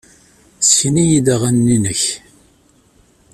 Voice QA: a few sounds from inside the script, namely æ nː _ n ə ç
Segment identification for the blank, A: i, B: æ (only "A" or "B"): A